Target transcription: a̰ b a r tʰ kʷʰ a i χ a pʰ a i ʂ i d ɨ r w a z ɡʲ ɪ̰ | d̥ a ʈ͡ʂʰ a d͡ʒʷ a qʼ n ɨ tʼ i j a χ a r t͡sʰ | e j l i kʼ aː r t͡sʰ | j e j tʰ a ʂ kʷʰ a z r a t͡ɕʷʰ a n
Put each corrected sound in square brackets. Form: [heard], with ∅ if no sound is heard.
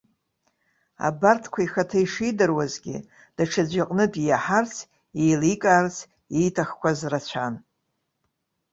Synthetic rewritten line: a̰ b a r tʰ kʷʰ a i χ a [tʰ] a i ʂ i d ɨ r w a z ɡʲ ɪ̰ | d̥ a ʈ͡ʂʰ a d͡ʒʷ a qʼ n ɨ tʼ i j a [ħ] a r t͡sʰ | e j l i kʼ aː r t͡sʰ | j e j tʰ a [χ] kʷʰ a z r a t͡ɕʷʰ a n